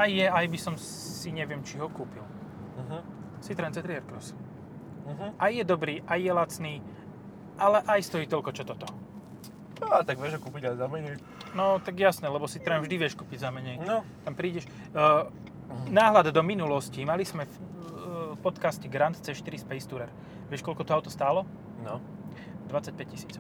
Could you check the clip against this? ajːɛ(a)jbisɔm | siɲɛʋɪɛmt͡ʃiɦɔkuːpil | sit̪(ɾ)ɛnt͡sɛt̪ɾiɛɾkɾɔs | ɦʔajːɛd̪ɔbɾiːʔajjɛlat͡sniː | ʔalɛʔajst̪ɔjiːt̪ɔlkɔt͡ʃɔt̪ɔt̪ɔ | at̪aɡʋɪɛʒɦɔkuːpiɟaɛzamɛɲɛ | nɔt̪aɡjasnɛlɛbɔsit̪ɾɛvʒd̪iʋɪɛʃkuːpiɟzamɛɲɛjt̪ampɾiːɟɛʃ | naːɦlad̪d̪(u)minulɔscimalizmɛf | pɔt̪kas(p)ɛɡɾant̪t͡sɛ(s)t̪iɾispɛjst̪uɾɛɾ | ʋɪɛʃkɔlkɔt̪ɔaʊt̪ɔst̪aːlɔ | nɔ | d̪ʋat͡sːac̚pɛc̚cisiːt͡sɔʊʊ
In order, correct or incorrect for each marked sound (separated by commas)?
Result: correct, correct, incorrect, incorrect, incorrect